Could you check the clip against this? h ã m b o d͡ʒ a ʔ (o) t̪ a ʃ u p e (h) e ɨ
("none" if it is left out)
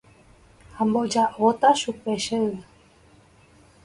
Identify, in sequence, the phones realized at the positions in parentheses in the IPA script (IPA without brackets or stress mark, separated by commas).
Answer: o, ʃ